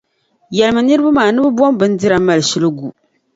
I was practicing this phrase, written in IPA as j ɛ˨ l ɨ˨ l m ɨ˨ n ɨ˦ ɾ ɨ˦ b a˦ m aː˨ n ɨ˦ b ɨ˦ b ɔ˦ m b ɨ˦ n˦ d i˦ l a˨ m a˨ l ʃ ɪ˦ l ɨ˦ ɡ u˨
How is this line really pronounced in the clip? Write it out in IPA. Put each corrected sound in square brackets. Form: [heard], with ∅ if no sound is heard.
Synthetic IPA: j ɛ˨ l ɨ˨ [∅] m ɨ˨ n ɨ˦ ɾ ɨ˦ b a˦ m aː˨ n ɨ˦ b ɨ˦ b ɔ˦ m b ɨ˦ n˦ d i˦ [ɾ] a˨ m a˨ l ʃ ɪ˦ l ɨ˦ ɡ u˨